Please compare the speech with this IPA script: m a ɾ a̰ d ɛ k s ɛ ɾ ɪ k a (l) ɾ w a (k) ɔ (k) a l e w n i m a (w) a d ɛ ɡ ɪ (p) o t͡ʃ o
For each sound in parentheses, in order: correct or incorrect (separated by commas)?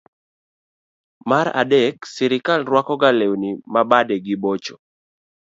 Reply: correct, correct, incorrect, incorrect, incorrect